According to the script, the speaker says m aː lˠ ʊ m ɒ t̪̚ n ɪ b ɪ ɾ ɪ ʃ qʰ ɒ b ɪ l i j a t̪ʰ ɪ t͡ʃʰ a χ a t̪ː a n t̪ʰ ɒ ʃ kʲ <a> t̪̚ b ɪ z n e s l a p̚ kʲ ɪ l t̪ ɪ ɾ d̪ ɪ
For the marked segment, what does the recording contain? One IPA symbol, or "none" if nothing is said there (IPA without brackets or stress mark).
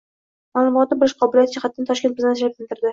e